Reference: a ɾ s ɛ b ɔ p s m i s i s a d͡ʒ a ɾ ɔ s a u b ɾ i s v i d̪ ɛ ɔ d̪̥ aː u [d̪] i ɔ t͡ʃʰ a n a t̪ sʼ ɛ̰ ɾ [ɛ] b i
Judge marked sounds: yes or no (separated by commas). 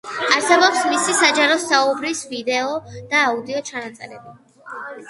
yes, yes